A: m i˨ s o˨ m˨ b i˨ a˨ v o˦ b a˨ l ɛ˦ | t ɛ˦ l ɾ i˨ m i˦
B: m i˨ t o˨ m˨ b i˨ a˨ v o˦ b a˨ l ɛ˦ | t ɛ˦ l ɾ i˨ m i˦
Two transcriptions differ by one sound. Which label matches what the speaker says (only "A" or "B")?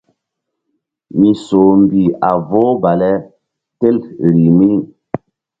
A